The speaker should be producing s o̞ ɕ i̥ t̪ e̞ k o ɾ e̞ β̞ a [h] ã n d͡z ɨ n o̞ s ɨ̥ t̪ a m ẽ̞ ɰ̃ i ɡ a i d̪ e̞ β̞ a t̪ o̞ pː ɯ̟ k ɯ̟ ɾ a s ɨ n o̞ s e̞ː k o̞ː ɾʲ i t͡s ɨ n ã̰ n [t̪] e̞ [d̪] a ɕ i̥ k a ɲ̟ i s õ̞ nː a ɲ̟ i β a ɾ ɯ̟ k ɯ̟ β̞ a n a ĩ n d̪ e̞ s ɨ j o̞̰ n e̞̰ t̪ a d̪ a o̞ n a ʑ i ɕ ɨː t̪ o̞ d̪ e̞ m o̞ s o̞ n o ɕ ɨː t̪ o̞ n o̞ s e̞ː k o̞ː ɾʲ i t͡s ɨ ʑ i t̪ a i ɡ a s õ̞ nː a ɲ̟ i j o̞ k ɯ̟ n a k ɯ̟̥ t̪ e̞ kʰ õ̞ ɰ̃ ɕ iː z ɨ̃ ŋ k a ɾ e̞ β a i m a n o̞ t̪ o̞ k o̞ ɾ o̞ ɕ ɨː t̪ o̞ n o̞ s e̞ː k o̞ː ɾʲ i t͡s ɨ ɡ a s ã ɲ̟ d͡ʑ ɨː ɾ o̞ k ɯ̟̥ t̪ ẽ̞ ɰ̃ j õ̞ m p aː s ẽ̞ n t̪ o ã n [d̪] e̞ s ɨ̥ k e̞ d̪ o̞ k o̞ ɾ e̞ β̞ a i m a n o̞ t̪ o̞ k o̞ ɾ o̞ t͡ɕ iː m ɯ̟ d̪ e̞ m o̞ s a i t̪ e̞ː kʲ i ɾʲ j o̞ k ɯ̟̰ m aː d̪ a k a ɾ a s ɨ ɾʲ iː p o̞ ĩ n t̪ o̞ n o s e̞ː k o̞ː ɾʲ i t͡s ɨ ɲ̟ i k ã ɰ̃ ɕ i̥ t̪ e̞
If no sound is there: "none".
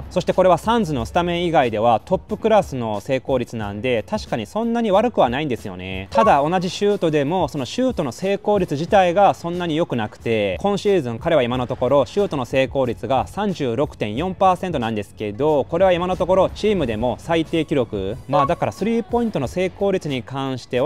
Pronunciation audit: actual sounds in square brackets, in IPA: s, d̪, t̪, d̪

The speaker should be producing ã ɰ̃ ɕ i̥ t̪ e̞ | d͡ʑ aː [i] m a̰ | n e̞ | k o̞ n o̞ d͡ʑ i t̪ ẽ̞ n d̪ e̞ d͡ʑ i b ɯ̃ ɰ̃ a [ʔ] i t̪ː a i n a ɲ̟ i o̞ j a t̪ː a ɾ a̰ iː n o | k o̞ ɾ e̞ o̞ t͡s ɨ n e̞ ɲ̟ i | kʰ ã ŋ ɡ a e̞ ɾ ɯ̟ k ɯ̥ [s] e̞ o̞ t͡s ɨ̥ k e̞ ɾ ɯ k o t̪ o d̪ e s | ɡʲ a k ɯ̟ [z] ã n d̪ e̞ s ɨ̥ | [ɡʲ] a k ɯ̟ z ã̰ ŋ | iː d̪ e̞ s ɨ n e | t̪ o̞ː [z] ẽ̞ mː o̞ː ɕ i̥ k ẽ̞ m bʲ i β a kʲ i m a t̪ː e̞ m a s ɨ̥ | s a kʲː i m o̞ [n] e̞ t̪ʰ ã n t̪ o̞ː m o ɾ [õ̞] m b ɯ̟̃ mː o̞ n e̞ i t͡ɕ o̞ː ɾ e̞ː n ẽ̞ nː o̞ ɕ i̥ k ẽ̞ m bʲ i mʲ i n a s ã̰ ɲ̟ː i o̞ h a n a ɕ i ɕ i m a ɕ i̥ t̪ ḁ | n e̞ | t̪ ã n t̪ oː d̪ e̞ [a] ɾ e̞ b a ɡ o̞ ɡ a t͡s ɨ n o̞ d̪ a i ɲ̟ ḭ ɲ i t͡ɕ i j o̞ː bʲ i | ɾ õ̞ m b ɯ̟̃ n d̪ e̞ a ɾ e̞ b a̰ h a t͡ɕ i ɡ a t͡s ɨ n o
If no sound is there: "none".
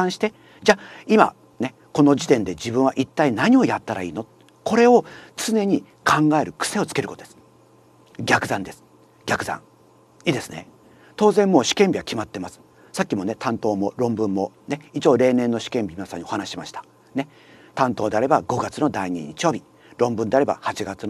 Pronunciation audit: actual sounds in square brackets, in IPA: i, ʔ, s, z, ɡʲ, z, n, õ̞, a

